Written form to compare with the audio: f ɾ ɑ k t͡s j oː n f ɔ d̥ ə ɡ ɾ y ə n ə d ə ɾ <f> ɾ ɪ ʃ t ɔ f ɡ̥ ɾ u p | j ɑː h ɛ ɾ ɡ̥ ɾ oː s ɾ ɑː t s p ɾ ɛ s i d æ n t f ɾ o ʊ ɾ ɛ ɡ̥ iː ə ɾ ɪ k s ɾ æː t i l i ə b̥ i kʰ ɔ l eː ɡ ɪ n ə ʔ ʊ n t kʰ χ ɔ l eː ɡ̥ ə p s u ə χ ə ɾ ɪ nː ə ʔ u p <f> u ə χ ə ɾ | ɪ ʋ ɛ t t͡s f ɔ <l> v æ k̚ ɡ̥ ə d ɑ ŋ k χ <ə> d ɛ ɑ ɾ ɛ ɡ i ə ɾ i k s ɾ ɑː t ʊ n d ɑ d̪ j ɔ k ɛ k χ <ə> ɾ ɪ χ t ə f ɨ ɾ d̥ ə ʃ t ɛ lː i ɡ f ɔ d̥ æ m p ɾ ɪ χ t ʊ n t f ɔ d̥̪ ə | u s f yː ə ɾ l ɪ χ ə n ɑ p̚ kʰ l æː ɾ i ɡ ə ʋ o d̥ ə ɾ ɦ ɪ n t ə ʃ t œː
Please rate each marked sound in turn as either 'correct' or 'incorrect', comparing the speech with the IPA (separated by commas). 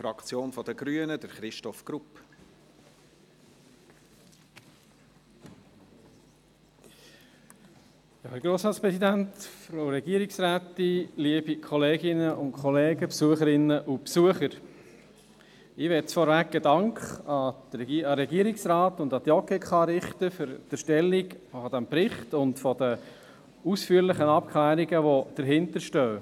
incorrect, incorrect, incorrect, incorrect, incorrect